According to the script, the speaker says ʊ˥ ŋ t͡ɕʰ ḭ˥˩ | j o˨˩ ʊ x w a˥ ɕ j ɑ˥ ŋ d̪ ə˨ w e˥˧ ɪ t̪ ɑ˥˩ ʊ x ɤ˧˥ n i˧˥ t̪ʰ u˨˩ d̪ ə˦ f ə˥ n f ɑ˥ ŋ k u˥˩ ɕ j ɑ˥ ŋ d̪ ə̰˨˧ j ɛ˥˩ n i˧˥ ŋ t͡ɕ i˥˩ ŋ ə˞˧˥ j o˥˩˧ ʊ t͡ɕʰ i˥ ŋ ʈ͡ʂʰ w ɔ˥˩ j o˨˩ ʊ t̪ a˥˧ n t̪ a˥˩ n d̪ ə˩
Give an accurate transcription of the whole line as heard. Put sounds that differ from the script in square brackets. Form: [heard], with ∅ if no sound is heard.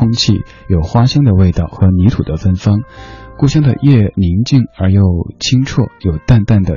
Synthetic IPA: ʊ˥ ŋ t͡ɕʰ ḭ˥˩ | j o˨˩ ʊ x w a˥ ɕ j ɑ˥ ŋ d̪ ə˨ w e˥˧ ɪ t̪ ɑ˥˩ ʊ x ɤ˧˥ n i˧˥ t̪ʰ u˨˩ d̪ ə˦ f ə˥ n f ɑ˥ ŋ k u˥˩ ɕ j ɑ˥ ŋ d̪ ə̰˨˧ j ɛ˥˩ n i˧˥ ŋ t͡ɕ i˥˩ ŋ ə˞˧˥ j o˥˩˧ ʊ t͡ɕʰ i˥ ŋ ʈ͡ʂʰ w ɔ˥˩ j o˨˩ ʊ t̪ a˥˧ n t̪ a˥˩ n d̪ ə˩